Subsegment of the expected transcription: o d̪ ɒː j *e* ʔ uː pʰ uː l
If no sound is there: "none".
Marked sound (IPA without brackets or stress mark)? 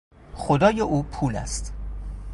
e